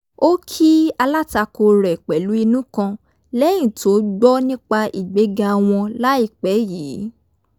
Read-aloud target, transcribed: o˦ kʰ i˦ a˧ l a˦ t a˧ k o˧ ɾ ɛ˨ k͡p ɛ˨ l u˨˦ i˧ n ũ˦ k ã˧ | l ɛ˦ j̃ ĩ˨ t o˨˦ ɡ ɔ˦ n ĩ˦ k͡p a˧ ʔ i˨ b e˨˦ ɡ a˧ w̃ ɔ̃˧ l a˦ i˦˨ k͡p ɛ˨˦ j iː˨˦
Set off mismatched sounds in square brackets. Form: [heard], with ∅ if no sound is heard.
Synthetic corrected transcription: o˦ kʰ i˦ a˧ l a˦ t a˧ k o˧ ɾ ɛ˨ k͡p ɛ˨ l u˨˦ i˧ n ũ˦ k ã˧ | l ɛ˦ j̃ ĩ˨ t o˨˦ [ɡ͡b] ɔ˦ n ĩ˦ k͡p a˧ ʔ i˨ [ɡ͡b] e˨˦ ɡ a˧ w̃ ɔ̃˧ l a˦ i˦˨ k͡p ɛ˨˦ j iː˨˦

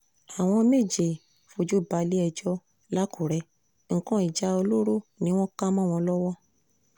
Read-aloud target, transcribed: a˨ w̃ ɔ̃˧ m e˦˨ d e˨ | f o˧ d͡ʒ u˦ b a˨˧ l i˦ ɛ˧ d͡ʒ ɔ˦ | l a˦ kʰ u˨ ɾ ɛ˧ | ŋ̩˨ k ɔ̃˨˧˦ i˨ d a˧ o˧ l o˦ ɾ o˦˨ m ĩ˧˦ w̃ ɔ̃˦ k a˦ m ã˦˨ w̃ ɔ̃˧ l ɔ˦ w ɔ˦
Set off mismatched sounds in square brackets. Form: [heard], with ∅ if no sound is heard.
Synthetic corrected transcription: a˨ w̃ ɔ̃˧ m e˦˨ [d͡ʒ] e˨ | f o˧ d͡ʒ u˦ b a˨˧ l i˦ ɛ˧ d͡ʒ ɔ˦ | l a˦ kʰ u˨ ɾ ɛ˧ | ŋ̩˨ k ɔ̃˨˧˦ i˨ [d͡ʒ] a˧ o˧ l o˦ ɾ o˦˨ [n] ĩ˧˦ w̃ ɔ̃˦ k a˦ m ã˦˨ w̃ ɔ̃˧ l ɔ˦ w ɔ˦

